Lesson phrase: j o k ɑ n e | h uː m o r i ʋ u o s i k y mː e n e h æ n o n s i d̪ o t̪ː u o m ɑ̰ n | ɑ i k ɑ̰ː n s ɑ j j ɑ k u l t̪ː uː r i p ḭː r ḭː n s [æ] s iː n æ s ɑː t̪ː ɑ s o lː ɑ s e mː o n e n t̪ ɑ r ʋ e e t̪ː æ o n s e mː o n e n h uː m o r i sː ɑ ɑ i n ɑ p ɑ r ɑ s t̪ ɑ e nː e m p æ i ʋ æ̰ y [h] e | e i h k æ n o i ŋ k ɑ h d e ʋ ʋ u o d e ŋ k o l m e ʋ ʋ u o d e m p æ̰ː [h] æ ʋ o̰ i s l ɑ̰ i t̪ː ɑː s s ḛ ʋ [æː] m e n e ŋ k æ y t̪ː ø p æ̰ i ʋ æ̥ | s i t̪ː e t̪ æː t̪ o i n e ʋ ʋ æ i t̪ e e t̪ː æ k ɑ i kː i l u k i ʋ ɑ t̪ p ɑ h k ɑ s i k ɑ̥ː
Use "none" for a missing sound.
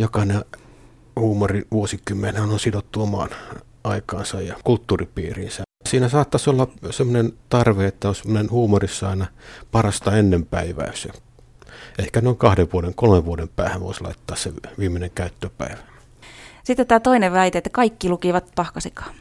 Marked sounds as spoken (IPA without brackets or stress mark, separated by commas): æ, s, h, iː